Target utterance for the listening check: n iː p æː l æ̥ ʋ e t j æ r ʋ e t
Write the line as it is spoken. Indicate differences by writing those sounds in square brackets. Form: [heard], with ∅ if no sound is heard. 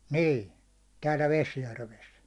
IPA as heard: n iː [t] æː l æ̥ ʋ e [s] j æ r ʋ e [s]